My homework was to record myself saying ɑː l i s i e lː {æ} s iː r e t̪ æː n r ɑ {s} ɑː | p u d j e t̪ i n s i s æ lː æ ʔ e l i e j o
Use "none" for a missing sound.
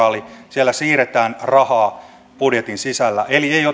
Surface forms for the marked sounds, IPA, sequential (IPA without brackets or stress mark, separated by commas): æ, h